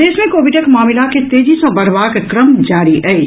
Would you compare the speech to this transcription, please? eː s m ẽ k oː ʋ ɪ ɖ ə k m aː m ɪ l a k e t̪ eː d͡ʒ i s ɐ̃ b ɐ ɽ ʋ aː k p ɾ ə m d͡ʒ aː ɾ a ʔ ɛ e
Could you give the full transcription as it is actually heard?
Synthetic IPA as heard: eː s m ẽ k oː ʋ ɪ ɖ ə k m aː m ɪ l a k e t̪ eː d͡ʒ i s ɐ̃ b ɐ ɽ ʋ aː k k ɾ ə m d͡ʒ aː ɾ i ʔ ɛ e